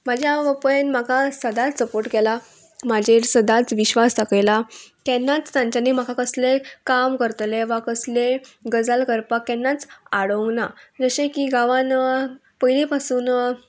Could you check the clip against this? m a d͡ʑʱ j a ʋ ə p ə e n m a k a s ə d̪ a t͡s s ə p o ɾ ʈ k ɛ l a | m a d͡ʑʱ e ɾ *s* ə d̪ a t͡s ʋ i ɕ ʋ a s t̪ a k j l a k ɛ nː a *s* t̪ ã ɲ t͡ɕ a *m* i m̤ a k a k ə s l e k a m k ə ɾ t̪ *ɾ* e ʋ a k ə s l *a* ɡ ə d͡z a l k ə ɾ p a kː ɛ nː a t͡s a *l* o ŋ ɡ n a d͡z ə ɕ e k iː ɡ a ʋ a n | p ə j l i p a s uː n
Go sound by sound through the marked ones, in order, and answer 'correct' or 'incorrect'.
correct, incorrect: t͡s, incorrect: n, incorrect: l, incorrect: e, incorrect: ɽ

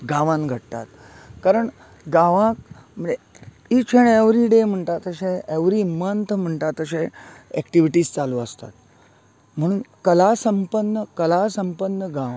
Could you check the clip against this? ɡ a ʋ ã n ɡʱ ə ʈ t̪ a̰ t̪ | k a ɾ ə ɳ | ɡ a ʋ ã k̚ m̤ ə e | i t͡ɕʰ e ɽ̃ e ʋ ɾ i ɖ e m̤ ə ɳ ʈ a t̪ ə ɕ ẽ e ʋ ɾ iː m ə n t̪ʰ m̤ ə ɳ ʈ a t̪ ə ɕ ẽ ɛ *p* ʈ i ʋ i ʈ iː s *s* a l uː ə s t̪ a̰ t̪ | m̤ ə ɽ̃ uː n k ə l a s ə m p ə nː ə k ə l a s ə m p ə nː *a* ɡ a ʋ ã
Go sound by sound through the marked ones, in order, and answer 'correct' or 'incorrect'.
incorrect: k, incorrect: t͡s, incorrect: ə

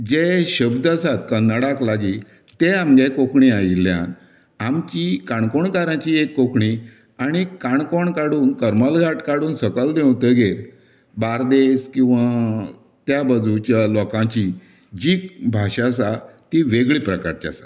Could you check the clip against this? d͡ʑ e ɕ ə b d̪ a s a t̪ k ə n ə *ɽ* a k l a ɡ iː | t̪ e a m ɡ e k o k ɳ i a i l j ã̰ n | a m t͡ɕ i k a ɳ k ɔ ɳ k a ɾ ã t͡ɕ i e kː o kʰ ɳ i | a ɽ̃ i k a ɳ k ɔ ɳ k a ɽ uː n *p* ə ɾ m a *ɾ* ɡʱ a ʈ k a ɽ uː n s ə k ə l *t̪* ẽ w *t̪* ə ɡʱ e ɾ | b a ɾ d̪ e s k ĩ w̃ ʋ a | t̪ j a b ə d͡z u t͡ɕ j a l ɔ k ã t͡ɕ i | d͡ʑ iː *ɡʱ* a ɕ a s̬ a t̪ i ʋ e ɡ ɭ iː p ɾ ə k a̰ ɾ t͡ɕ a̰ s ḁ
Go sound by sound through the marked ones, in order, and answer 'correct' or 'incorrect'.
correct, incorrect: k, incorrect: l, incorrect: d̪, correct, incorrect: bʱ

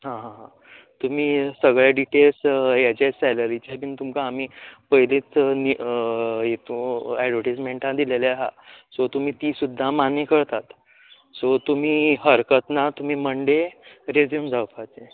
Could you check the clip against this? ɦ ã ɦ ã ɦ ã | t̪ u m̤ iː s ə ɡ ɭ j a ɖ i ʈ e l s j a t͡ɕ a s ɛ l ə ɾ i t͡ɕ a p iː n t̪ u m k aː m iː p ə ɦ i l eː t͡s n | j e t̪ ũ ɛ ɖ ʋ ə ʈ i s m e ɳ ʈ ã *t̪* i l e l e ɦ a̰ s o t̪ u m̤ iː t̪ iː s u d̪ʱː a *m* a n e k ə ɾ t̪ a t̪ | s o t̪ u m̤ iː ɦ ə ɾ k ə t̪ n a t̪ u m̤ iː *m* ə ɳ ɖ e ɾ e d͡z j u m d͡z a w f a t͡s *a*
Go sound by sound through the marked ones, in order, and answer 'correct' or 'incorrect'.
incorrect: d̪, correct, correct, incorrect: e

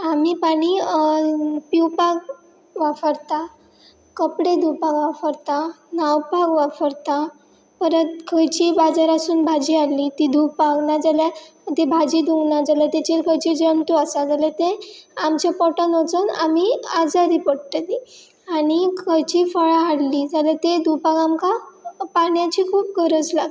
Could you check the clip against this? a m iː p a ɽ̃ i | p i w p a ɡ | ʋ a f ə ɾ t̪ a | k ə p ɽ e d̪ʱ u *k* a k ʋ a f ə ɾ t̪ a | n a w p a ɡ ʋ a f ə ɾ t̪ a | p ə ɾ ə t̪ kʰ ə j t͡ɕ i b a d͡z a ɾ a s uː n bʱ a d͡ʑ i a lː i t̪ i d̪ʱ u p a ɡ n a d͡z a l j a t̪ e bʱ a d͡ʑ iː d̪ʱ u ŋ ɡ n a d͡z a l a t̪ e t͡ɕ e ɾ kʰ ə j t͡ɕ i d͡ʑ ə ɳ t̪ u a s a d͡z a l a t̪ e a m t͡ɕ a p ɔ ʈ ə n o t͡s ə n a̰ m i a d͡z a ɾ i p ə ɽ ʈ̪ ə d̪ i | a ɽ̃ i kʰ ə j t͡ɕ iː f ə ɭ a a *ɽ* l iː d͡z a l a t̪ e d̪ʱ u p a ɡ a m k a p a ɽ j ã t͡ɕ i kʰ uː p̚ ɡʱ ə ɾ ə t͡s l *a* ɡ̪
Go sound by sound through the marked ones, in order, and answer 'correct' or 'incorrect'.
incorrect: p, correct, correct

